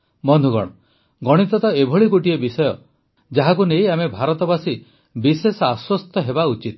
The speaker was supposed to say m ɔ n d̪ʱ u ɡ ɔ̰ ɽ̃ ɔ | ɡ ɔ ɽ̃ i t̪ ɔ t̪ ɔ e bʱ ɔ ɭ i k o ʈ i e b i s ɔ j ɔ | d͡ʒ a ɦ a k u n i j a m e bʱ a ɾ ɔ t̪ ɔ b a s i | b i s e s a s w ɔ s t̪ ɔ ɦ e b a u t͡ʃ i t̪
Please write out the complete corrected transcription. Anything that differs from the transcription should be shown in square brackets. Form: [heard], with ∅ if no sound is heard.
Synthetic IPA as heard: m ɔ n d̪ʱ u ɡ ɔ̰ ɽ̃ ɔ | ɡ ɔ ɽ̃ i t̪ ɔ t̪ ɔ e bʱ ɔ ɭ i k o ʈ i e b i s ɔ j ɔ | d͡ʒ a ɦ a k u n [e] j a m e bʱ a ɾ ɔ t̪ ɔ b a s i | b i s e s a s w ɔ s t̪ ɔ ɦ e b a u t͡ʃ i t̪

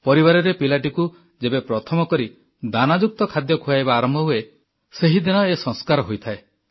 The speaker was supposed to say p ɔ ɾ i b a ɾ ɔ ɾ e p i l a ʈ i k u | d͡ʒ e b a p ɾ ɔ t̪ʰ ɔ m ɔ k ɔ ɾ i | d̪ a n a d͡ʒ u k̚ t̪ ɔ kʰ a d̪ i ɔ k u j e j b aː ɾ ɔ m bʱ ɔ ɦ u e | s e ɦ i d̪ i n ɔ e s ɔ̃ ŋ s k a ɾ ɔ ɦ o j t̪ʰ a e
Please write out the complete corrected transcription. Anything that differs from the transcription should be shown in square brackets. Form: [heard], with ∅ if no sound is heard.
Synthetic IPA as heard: p ɔ ɾ i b a ɾ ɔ ɾ e p i l a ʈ i k u | d͡ʒ e b [e] p ɾ ɔ t̪ʰ ɔ m ɔ k ɔ ɾ i | d̪ a n a d͡ʒ u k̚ t̪ ɔ kʰ a d̪ [j] ɔ [kʰ] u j [a] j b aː ɾ ɔ m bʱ ɔ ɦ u e | s e ɦ i d̪ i n ɔ e s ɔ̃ ŋ s k a ɾ ɔ ɦ o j t̪ʰ a e

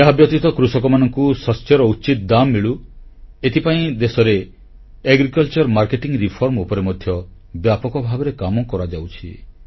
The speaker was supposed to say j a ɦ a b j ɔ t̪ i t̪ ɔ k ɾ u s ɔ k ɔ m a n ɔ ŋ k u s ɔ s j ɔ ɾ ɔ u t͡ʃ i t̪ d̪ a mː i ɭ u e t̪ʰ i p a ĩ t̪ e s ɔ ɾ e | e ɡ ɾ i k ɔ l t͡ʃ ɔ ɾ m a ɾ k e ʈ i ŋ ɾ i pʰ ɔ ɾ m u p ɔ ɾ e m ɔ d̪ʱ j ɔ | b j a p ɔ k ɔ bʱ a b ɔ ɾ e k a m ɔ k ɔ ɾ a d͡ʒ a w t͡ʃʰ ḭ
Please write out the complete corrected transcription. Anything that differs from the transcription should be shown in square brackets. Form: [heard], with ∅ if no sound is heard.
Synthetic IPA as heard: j a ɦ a b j ɔ t̪ i t̪ ɔ k ɾ u s ɔ k ɔ m a n ɔ ŋ k u s ɔ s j ɔ ɾ ɔ u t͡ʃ i t̪ d̪ a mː i ɭ u e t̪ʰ i p a ĩ [d̪] e s ɔ ɾ e | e ɡ ɾ i k ɔ l t͡ʃ ɔ ɾ m a ɾ k e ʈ i ŋ ɾ i pʰ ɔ ɾ m u p ɔ ɾ e m ɔ d̪ʱ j ɔ | b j a p ɔ k ɔ bʱ a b ɔ ɾ e k a m ɔ k ɔ ɾ a d͡ʒ a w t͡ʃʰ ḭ

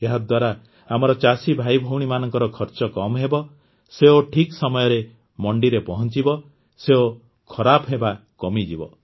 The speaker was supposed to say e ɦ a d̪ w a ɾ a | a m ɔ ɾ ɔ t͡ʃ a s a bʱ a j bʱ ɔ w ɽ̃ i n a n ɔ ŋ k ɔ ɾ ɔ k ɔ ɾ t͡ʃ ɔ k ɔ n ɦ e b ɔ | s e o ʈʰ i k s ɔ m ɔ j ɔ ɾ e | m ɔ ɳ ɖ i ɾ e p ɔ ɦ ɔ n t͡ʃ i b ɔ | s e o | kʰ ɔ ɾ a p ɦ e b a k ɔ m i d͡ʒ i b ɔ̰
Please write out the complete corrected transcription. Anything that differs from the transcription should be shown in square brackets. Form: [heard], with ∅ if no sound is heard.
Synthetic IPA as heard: e ɦ a d̪ w a ɾ a | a m ɔ ɾ ɔ t͡ʃ a s [i] bʱ a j bʱ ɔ w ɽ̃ i [m] a n ɔ ŋ k ɔ ɾ ɔ [kʰ] ɔ ɾ t͡ʃ ɔ k ɔ [m] ɦ e b ɔ | s e o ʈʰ i k s ɔ m ɔ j ɔ ɾ e | m ɔ ɳ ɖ i ɾ e p ɔ ɦ ɔ n t͡ʃ i b ɔ | s e o | kʰ ɔ ɾ a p ɦ e b a k ɔ m i d͡ʒ i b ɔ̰

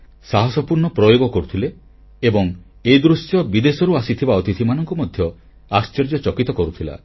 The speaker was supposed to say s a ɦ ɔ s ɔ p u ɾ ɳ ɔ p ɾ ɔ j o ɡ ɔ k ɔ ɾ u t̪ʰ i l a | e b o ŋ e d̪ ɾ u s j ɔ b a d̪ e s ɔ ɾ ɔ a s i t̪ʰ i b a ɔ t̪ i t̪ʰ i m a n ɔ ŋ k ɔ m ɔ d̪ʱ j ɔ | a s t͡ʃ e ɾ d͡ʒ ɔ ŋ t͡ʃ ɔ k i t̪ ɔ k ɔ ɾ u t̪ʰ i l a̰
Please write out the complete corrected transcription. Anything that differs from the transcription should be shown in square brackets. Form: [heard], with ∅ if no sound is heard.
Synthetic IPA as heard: s a ɦ ɔ s ɔ p u ɾ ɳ ɔ p ɾ ɔ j o ɡ ɔ k ɔ ɾ u t̪ʰ i l [e] | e b [ɔ] ŋ e d̪ ɾ u s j ɔ b [i] d̪ e s ɔ ɾ [u] a s i t̪ʰ i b a ɔ t̪ i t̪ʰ i m a n ɔ ŋ k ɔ m ɔ d̪ʱ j ɔ | a s t͡ʃ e ɾ d͡ʒ ɔ [∅] t͡ʃ ɔ k i t̪ ɔ k ɔ ɾ u t̪ʰ i l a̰

